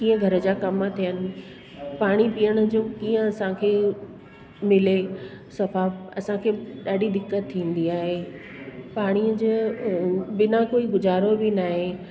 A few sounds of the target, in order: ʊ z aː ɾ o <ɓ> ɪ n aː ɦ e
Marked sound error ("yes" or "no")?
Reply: yes